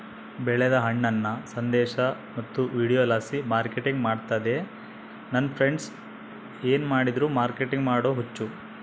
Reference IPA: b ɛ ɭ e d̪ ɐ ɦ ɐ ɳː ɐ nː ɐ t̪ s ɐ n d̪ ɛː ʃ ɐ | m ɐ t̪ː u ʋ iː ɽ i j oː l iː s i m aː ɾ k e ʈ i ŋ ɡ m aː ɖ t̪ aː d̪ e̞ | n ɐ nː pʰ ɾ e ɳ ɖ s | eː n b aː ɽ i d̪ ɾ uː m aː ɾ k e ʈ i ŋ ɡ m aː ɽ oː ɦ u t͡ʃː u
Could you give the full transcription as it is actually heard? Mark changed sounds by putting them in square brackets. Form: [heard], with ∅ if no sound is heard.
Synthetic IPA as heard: b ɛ ɭ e d̪ ɐ ɦ ɐ ɳː ɐ nː ɐ [∅] s ɐ n d̪ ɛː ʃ ɐ | m ɐ t̪ː u ʋ iː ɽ i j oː l [aː] s i m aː ɾ k e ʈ i ŋ ɡ m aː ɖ t̪ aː d̪ e̞ | n ɐ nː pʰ ɾ e ɳ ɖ s | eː n [m] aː ɽ i d̪ ɾ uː m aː ɾ k e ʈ i ŋ ɡ m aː ɽ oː ɦ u t͡ʃː u